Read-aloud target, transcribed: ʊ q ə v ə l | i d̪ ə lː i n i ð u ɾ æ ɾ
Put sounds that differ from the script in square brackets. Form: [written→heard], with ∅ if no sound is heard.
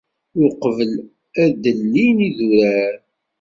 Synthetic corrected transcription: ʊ q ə v ə l | [i→æ] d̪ ə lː i n i ð u ɾ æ ɾ